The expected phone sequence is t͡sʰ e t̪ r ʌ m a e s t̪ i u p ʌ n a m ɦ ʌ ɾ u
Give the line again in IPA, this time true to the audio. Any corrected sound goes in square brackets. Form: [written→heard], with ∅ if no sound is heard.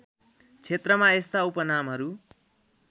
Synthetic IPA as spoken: t͡sʰ e t̪ r ʌ m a e s t̪ [i→a] u p ʌ n a m ɦ ʌ ɾ u